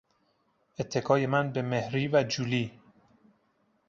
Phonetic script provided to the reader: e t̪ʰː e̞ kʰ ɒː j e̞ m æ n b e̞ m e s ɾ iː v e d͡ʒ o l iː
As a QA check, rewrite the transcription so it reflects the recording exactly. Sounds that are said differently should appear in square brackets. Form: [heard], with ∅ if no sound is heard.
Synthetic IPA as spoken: e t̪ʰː e̞ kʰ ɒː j e̞ m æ n b e̞ m e [h] ɾ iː v [æ] d͡ʒ [u] l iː